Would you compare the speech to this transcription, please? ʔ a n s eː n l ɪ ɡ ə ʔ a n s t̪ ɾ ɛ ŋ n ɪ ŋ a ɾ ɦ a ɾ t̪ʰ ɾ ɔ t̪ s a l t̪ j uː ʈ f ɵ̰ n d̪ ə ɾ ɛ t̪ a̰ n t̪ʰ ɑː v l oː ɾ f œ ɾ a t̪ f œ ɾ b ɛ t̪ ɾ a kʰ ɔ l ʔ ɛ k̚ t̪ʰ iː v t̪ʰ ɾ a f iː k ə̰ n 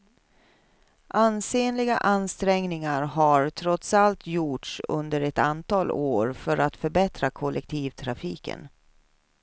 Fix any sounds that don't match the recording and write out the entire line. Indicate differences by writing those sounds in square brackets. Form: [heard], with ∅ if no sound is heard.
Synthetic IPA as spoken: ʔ a n s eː n l ɪ ɡ [a] ʔ a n s t̪ ɾ ɛ ŋ n ɪ ŋ a ɾ ɦ a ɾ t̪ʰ ɾ ɔ t̪ s a l t̪ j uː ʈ [ʂ] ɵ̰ n d̪ ə ɾ ɛ t̪ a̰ n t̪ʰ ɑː [∅] l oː ɾ f œ ɾ a t̪ f œ ɾ b ɛ t̪ ɾ a kʰ ɔ l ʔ ɛ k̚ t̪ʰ iː v t̪ʰ ɾ a f iː k ə̰ n